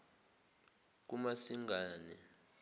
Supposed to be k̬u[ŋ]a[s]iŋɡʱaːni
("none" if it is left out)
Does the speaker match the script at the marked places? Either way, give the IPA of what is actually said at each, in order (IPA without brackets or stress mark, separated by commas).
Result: m, s